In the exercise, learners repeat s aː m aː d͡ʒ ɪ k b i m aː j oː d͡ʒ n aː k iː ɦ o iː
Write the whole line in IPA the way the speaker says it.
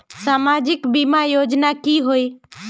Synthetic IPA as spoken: s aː m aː d͡ʒ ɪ k b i m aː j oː d͡ʒ n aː k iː ɦ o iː